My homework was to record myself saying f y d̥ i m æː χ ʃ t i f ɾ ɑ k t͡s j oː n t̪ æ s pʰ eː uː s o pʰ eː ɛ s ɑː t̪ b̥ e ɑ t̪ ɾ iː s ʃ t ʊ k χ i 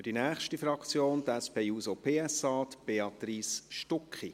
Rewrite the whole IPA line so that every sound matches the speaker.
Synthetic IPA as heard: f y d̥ i n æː χ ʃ t i f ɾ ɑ k t͡s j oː n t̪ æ s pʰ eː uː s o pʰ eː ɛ s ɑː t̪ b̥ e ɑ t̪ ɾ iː s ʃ t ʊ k χ i